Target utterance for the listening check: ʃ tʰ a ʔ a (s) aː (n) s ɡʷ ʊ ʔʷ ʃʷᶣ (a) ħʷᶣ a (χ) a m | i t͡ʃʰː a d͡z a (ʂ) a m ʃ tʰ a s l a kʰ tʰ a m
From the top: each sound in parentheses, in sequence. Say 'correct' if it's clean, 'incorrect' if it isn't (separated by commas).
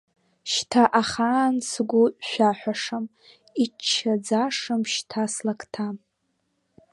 incorrect, correct, correct, incorrect, correct